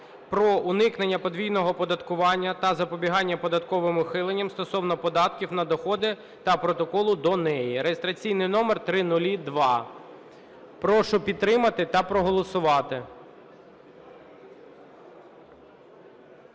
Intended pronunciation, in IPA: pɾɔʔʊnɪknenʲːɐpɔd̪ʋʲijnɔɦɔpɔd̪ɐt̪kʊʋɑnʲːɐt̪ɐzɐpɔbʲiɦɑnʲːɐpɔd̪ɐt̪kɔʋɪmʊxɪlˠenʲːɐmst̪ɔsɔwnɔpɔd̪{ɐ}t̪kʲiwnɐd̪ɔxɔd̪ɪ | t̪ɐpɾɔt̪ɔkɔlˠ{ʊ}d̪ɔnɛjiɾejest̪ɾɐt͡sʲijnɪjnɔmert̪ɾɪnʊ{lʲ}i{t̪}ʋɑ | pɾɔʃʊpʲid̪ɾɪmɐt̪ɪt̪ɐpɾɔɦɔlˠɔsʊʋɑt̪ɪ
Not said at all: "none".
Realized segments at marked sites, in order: ɑ, ʊ, lʲ, d̪

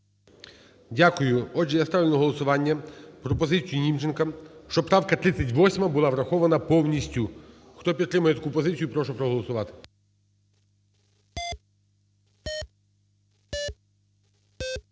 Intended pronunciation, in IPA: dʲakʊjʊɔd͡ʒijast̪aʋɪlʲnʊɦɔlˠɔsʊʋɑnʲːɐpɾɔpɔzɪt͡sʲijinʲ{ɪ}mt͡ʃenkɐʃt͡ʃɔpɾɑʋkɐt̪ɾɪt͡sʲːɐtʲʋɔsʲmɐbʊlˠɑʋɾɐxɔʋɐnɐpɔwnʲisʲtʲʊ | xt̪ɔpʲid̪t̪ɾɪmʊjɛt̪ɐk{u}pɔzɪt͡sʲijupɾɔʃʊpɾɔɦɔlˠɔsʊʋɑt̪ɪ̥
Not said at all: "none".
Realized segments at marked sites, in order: i, u

